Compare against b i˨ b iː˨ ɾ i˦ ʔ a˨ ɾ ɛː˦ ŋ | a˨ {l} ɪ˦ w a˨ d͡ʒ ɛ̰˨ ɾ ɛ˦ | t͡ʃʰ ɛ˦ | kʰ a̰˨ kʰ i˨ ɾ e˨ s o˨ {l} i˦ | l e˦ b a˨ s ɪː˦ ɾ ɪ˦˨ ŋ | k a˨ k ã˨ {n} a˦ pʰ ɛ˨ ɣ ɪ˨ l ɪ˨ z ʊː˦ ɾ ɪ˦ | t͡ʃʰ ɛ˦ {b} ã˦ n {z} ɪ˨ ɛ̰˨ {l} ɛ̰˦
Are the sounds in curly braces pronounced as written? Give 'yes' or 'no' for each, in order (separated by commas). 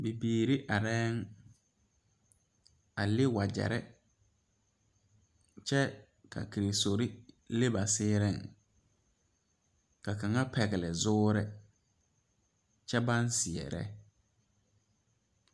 yes, no, no, yes, no, no